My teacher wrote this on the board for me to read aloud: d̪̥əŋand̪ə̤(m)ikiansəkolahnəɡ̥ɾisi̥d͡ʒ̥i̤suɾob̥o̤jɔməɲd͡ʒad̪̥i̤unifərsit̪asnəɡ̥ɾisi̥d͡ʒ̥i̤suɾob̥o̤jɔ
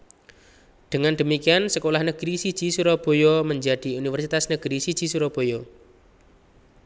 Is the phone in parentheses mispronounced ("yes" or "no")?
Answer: no